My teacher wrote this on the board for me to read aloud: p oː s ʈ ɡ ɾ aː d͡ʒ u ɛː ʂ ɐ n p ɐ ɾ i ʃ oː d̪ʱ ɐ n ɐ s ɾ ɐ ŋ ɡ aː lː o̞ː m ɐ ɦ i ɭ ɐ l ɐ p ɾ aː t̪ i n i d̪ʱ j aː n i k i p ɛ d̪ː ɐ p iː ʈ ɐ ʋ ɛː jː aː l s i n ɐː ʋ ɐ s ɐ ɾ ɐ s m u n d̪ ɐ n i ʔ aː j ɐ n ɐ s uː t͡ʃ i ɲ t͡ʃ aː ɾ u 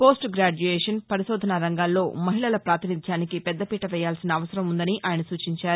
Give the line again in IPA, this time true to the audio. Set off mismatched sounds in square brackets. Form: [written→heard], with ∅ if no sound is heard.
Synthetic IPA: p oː s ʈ ɡ ɾ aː d͡ʒ u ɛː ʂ ɐ n p ɐ ɾ i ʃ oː d̪ʱ ɐ n ɐ [s→∅] ɾ ɐ ŋ ɡ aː lː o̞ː m ɐ ɦ i ɭ ɐ l ɐ p ɾ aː t̪ i n i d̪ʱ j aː n i k i p ɛ d̪ː ɐ p iː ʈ ɐ ʋ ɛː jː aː l s i n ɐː ʋ ɐ s ɐ ɾ ɐ [s→∅] m u n d̪ ɐ n i ʔ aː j ɐ n ɐ s uː t͡ʃ i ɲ t͡ʃ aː ɾ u